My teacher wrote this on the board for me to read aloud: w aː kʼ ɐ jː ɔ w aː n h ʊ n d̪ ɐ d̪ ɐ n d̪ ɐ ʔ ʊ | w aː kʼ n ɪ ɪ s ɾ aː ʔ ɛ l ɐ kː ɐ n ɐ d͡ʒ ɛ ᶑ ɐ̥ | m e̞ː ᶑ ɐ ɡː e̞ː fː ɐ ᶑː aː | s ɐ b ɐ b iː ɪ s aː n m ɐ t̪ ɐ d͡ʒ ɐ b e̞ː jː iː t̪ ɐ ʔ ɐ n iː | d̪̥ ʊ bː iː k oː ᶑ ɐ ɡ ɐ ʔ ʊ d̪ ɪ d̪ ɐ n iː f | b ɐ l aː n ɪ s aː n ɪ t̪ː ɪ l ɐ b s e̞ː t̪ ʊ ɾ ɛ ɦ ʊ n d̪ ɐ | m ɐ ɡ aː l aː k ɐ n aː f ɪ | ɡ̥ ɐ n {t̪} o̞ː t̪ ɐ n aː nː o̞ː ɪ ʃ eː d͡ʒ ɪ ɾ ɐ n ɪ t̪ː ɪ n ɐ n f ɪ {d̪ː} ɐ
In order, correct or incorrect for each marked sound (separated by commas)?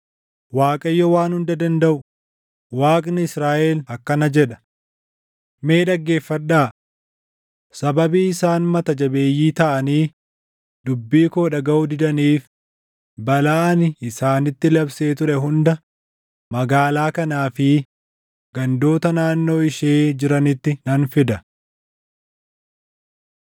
incorrect, incorrect